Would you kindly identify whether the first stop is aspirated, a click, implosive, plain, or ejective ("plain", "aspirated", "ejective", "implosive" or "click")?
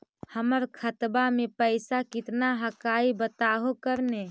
aspirated